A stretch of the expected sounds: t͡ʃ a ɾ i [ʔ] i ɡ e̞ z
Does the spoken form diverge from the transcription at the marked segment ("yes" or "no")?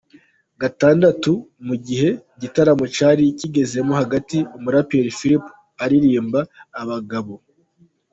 yes